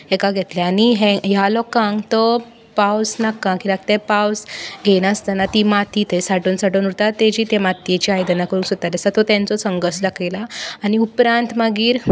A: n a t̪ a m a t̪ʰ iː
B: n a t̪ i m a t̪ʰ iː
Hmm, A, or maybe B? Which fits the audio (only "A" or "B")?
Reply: B